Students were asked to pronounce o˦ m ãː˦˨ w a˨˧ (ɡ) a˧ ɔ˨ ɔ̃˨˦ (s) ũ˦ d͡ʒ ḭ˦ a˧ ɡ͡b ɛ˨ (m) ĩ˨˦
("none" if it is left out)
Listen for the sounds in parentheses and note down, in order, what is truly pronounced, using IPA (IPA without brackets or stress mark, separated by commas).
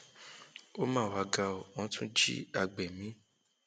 ɡ, t, m